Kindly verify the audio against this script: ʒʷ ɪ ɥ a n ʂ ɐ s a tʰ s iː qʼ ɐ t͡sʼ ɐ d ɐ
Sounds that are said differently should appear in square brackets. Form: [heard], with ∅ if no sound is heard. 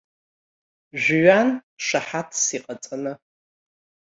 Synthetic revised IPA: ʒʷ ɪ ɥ a n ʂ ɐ [ħ] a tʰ s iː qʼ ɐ t͡sʼ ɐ [n] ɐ